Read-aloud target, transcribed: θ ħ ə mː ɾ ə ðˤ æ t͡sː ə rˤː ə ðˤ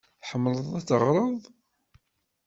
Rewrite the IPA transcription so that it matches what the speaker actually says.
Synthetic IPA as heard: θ ħ ə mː l ə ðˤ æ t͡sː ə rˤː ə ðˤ